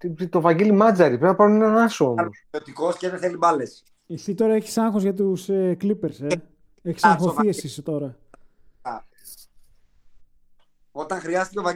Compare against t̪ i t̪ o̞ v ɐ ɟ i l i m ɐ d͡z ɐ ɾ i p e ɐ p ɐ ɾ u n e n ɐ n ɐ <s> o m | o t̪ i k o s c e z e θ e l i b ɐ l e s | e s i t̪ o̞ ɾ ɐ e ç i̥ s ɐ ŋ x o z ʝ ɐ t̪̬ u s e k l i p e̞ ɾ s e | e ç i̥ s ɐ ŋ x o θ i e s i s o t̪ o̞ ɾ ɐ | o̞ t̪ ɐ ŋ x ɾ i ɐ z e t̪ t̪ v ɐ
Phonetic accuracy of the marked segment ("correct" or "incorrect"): correct